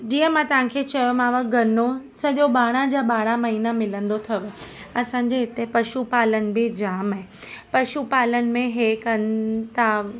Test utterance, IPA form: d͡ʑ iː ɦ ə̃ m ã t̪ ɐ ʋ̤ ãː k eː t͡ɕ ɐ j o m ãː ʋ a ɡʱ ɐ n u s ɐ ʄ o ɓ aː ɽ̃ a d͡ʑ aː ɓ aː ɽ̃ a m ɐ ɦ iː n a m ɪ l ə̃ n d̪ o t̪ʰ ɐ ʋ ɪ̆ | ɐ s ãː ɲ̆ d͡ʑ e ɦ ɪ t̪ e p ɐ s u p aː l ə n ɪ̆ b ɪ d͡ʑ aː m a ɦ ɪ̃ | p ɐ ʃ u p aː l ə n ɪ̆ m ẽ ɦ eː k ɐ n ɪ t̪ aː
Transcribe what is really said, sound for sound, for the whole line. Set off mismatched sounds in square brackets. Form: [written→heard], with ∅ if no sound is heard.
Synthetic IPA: d͡ʑ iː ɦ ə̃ m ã t̪ ɐ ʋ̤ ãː [k→kʰ] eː t͡ɕ ɐ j o m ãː ʋ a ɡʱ ɐ n [u→o] s ɐ ʄ o ɓ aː ɽ̃ a d͡ʑ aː ɓ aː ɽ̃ a m ɐ ɦ iː n a m ɪ l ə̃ n d̪ o t̪ʰ ɐ ʋ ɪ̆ | ɐ s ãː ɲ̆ d͡ʑ e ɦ ɪ t̪ e p ɐ [s→ʃ] u p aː l ə n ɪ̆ b ɪ d͡ʑ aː m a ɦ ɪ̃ | p ɐ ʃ u p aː l ə n ɪ̆ m ẽ ɦ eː k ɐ n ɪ t̪ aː